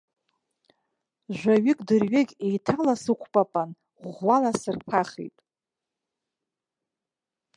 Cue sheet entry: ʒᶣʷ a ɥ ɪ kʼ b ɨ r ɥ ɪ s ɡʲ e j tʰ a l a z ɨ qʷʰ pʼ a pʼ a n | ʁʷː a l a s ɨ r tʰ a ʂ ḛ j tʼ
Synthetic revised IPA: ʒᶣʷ a ɥ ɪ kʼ d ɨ r ɥ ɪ ɡʲ e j tʰ a l a s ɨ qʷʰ pʼ a pʼ a n | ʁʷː a l a s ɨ r pʰ a χ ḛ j tʼ